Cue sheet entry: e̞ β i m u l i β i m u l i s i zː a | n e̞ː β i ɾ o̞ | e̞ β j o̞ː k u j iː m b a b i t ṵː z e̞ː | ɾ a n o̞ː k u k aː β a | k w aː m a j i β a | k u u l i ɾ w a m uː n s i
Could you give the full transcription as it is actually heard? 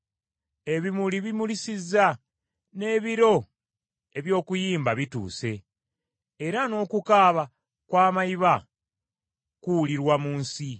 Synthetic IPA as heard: e̞ β i m u l i β i m u l i s i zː a | n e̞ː β i ɾ o̞ | e̞ β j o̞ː k u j iː m b a β i t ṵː s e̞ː | ɾ a n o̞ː k u k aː β a | k w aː m a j i β a | k u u l i ɾ w a m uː n s i